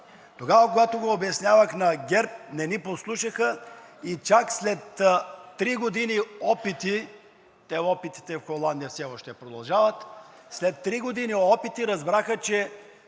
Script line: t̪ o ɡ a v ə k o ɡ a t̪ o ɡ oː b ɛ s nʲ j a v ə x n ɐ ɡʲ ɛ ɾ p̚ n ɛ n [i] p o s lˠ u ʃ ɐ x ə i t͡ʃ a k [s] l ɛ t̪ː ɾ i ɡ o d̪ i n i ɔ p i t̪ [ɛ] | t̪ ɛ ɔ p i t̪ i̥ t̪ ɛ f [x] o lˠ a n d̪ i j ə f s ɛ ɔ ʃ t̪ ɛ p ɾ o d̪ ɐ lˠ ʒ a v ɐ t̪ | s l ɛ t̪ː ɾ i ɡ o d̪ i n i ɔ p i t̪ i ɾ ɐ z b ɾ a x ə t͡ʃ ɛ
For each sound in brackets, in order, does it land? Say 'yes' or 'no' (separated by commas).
yes, yes, no, yes